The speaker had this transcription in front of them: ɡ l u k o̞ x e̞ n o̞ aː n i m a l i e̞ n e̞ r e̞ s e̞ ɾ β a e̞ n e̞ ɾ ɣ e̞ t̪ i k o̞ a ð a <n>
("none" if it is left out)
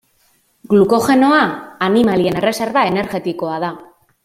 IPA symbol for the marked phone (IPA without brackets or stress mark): none